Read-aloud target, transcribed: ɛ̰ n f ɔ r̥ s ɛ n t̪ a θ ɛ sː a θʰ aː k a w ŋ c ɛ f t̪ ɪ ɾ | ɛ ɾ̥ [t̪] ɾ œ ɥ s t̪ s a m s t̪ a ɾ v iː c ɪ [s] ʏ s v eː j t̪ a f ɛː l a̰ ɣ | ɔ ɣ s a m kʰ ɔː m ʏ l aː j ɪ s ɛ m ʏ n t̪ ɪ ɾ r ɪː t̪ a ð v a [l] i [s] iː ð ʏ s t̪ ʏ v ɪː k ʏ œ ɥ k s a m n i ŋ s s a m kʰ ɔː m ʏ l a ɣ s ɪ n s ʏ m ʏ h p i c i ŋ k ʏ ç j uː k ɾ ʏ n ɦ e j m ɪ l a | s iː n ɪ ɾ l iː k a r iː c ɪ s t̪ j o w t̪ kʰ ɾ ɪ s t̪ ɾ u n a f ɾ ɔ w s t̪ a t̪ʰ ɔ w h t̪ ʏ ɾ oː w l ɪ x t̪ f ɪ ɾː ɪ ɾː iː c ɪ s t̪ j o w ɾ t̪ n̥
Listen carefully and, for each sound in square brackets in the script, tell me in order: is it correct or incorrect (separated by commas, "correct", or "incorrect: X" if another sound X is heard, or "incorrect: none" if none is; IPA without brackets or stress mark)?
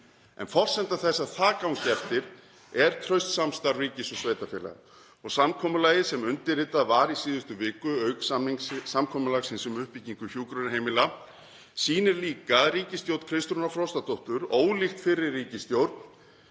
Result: incorrect: t̪ʰ, correct, incorrect: ɾ, correct